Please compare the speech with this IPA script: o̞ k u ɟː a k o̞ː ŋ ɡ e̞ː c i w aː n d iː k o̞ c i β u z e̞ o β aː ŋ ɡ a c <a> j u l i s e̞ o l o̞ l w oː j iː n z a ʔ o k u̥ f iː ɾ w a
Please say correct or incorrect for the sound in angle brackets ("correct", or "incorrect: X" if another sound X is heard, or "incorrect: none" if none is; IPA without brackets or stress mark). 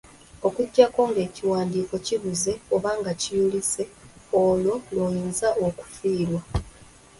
incorrect: i